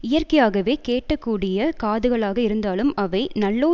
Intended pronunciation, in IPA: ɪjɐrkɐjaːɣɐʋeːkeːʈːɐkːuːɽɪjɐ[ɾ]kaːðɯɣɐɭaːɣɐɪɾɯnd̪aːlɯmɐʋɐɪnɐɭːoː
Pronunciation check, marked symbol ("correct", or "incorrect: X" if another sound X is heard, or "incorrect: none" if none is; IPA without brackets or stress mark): incorrect: none